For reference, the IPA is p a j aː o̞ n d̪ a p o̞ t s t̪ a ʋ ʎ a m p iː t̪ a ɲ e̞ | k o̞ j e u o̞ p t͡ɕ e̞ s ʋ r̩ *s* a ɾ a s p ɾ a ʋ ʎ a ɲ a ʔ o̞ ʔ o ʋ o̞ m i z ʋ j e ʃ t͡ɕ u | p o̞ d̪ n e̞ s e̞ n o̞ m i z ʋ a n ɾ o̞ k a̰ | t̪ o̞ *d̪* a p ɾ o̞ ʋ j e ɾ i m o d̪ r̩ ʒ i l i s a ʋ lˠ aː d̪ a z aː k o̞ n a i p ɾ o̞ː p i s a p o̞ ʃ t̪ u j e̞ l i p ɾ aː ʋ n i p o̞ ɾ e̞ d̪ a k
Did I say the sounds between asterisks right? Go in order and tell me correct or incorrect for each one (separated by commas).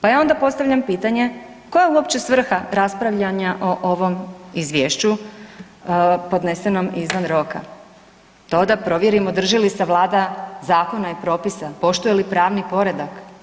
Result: incorrect, correct